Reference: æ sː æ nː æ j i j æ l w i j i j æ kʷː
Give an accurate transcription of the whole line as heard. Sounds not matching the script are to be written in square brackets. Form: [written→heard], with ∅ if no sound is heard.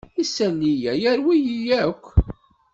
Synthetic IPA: [æ→i] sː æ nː [æ→i] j [i→æ] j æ [l→ɾ] w i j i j æ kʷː

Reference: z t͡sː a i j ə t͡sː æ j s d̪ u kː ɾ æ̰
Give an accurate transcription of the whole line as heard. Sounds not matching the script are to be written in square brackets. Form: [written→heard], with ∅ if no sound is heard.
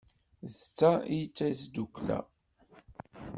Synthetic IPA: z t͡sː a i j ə t͡sː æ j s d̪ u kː [ɾ→l] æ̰

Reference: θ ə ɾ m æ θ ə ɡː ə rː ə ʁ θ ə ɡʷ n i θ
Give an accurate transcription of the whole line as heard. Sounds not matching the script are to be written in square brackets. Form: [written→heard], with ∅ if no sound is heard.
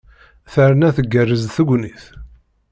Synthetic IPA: θ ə ɾ [m→n] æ θ ə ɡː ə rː ə [ʁ→z] θ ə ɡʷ n i θ

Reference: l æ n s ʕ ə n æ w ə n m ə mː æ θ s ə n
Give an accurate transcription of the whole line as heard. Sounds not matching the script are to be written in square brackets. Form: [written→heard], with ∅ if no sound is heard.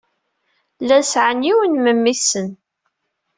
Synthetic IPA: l æ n s ʕ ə n [æ→i] w ə n m ə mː [æ→i] θ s ə n

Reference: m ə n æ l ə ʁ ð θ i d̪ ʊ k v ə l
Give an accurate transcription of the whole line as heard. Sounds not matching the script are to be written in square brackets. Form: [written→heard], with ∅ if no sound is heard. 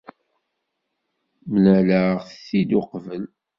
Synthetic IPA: m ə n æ l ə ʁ [ð→θ] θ i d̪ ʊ [k→q] v ə l

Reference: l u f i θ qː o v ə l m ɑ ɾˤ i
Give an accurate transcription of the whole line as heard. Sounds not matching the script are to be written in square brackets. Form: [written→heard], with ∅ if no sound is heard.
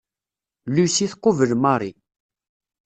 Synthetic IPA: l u [f→s] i θ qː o v ə l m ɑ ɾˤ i

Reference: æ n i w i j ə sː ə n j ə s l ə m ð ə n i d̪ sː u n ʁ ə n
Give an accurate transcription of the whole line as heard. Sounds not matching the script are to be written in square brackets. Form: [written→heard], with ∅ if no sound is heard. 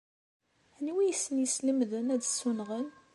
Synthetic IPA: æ n i w i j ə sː ə n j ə s l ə m ð ə n [i→æ] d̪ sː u n ʁ ə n

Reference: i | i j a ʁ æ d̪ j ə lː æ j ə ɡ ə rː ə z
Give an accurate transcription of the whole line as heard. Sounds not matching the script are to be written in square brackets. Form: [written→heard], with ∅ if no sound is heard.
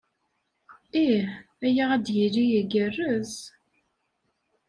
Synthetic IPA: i | [i→æ] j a ʁ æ d̪ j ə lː [æ→i] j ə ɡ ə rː ə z

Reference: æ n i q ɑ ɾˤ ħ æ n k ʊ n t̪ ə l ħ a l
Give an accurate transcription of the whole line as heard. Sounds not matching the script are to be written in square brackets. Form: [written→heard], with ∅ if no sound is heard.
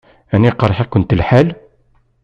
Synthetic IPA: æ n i q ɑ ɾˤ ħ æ [n→∅] k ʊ n t̪ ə l ħ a l

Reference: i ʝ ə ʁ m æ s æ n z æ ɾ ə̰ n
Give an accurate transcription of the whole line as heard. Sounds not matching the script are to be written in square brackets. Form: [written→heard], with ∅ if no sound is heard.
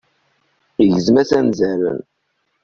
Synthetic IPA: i ʝ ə [ʁ→z] m æ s æ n z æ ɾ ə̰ n

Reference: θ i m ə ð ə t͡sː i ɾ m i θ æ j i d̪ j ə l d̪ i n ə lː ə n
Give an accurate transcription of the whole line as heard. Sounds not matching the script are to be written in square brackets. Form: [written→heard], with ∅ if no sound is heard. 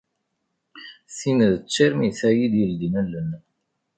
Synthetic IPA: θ i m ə ð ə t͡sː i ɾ m i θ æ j i d̪ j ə l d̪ i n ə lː ə n

